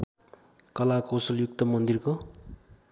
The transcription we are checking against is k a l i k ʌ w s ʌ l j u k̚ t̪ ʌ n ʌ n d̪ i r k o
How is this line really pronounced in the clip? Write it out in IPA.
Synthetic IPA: k ʌ l a k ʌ w s ʌ l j u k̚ t̪ ʌ m ʌ n d̪ i r k o